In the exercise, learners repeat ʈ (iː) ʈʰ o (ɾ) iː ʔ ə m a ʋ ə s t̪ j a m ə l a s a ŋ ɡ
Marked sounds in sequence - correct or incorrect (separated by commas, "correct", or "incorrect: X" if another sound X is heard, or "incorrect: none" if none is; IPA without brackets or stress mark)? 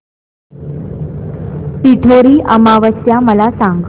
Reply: incorrect: i, correct